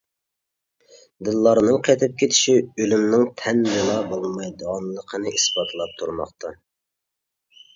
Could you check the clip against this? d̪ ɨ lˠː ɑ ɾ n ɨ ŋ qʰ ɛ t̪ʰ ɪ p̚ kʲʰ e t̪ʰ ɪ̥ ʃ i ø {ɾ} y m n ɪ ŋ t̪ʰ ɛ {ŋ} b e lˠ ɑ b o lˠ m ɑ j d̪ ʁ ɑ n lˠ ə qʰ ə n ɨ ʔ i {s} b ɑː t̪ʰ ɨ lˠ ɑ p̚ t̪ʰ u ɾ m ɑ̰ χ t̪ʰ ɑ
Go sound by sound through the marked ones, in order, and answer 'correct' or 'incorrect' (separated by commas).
incorrect, incorrect, correct